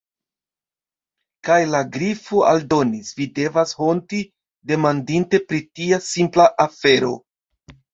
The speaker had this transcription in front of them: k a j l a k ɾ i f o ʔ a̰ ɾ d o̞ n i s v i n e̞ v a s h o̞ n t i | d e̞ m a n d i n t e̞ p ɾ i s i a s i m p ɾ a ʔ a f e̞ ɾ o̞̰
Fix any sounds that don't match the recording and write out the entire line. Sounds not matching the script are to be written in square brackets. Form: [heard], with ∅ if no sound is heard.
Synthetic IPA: k a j l a [ɡ] ɾ i f o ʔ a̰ [l] d o̞ n i s v i [d] e̞ v a s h o̞ n t i | d e̞ m a n d i n t e̞ p ɾ i [t] i a s i m p [l] a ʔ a f e̞ ɾ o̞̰